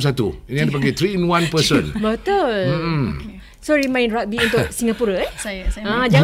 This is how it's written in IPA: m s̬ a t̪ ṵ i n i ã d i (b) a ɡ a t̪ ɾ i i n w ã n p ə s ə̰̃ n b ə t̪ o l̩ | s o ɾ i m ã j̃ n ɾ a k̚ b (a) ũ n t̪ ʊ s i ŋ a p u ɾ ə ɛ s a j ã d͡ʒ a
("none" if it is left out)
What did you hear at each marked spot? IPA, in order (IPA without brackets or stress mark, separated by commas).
p, i